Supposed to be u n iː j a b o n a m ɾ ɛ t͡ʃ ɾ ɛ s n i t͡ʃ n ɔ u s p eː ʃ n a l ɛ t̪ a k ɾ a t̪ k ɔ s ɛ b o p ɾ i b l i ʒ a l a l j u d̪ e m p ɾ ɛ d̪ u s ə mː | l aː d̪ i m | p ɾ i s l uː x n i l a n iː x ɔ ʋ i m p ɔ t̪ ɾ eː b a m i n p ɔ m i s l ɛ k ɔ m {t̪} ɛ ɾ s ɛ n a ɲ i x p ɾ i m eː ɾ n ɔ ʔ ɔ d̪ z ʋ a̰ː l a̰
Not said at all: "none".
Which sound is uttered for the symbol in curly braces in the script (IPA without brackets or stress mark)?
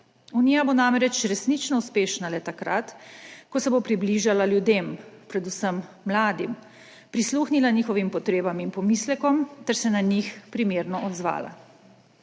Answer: t̪